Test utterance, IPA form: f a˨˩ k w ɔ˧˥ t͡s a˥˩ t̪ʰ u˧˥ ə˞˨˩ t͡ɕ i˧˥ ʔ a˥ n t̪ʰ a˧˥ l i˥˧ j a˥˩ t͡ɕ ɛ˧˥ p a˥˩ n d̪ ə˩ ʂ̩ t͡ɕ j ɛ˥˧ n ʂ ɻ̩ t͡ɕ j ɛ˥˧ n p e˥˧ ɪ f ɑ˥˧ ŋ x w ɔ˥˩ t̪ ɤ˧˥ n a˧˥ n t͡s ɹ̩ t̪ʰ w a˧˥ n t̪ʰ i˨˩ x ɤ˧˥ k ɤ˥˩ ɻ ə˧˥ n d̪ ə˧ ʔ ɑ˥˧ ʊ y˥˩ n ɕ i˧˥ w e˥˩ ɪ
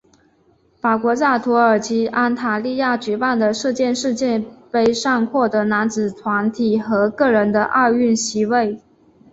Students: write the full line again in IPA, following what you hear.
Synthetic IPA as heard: f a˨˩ k w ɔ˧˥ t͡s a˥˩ t̪ʰ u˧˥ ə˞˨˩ t͡ɕ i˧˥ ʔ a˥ n t̪ʰ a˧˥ l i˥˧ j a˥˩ t͡ɕ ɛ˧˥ p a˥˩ n d̪ ə˩ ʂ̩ t͡ɕ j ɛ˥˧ n ʂ ɻ̩ t͡ɕ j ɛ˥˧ n p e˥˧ ɪ ʂ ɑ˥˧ ŋ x w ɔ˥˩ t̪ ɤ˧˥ n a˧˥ n t͡s ɹ̩ t̪ʰ w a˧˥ n t̪ʰ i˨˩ x ɤ˧˥ k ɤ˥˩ ɻ ə˧˥ n d̪ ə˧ ʔ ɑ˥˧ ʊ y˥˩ n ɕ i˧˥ w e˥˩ ɪ